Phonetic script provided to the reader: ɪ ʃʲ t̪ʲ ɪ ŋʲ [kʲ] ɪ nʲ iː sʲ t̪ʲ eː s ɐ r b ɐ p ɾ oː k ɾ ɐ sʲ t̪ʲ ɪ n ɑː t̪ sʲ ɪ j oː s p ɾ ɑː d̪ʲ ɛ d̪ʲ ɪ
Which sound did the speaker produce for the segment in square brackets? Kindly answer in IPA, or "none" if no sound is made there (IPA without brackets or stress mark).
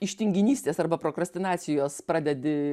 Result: ɡʲ